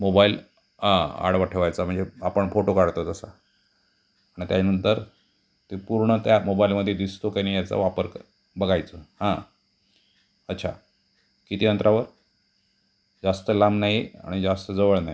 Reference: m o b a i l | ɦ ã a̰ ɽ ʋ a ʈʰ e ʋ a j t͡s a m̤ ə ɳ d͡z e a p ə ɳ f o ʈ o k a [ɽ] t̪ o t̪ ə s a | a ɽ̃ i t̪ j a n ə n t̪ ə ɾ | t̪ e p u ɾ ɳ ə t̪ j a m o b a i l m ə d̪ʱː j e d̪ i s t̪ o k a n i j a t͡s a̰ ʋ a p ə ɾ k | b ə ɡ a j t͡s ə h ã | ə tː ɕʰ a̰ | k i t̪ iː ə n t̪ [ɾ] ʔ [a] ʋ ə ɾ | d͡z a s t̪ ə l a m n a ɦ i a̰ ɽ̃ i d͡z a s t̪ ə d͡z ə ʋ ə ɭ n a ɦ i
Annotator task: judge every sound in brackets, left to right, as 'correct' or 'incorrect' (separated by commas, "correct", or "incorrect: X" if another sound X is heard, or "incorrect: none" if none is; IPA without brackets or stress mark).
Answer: correct, correct, correct